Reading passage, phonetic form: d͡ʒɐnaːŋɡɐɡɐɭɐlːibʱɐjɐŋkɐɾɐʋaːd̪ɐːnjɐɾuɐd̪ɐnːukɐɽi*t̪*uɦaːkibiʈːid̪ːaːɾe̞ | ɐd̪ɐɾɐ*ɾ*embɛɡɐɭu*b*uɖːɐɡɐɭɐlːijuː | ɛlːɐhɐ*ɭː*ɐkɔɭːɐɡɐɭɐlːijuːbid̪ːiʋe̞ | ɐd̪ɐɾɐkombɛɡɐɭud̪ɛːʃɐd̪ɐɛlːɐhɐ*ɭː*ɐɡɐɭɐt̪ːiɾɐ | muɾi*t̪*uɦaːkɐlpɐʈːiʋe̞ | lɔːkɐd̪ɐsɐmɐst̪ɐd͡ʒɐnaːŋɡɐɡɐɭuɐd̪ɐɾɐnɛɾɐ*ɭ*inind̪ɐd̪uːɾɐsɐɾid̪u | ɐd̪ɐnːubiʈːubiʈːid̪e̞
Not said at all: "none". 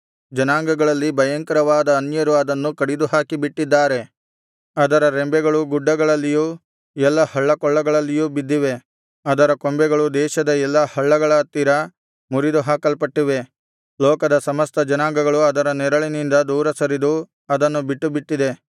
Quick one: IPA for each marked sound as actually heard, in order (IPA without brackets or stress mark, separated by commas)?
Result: d̪, ɾ, ɡ, ɭː, ɭː, d̪, ɭ